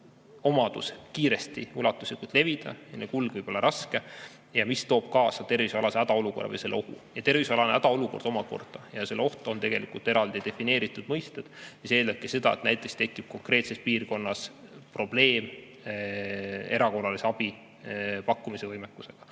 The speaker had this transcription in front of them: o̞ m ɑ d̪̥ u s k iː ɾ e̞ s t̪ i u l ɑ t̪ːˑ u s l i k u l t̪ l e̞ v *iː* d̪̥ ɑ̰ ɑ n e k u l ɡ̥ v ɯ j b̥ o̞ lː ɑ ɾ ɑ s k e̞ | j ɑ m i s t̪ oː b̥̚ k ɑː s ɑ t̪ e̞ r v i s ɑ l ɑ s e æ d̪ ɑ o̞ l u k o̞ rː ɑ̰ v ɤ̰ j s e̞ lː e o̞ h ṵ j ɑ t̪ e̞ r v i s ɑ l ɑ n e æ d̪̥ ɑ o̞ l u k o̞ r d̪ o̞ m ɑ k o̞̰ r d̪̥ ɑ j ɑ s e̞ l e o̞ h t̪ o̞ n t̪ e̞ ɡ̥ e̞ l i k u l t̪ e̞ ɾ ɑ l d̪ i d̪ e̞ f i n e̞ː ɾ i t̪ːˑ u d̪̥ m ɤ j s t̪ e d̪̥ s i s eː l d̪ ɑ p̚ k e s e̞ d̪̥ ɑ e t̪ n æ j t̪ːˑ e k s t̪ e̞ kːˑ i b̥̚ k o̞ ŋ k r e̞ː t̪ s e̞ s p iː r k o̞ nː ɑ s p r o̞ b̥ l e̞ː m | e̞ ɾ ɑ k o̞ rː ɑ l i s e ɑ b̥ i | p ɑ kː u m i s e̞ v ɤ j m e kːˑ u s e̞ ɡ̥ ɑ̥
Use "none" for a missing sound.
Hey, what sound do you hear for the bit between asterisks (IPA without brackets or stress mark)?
i